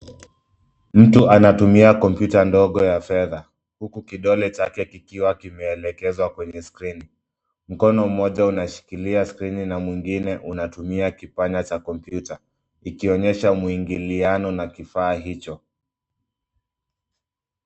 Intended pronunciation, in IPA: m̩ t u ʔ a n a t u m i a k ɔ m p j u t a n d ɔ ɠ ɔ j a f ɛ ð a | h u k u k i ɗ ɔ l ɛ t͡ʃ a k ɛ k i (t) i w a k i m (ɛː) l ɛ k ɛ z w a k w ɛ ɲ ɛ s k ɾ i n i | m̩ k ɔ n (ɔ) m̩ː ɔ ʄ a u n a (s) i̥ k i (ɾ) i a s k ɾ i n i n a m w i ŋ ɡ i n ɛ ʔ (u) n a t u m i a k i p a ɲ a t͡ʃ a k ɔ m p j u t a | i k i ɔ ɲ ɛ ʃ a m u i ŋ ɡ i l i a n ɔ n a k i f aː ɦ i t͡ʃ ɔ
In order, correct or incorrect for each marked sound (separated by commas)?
incorrect, correct, correct, incorrect, incorrect, correct